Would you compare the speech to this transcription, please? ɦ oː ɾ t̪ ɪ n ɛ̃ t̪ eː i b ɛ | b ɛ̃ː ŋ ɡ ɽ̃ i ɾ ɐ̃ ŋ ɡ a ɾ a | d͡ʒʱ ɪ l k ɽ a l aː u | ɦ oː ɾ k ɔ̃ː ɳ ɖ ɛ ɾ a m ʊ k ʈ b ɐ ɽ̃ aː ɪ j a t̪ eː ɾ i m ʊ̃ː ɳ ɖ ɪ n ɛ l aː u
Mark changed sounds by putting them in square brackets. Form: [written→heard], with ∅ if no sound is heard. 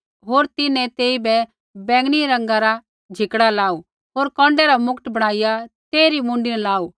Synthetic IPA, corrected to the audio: ɦ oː ɾ t̪ ɪ n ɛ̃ t̪ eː i b ɛ | b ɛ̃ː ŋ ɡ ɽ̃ i ɾ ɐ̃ ŋ ɡ a ɾ a | d͡ʒʱ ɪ [l→∅] k ɽ a l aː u | ɦ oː ɾ k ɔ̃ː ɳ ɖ ɛ ɾ a m ʊ k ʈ b ɐ ɽ̃ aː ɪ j a t̪ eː ɾ i m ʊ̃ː ɳ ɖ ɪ n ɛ l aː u